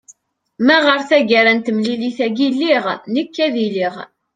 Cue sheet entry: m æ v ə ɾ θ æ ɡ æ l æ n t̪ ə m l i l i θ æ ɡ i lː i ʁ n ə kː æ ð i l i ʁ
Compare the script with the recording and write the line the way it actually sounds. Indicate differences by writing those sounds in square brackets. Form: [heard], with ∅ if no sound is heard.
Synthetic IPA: m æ [ʁ] ə ɾ θ æ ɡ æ [ɾ] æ n t̪ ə m l i l i θ æ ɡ i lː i ʁ n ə kː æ ð i l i ʁ